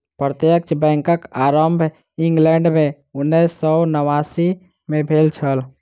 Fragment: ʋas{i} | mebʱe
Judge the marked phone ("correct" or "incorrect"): correct